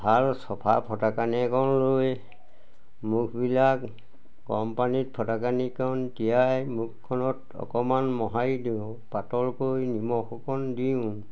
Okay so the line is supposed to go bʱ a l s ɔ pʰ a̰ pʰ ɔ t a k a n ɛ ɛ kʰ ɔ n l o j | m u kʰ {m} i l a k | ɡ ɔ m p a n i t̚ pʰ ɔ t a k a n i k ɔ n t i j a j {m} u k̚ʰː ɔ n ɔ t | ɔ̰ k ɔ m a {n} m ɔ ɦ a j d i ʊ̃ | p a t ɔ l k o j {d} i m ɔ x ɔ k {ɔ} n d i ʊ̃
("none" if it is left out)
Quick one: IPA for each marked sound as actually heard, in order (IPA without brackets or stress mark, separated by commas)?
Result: b, m, n, n, ɔ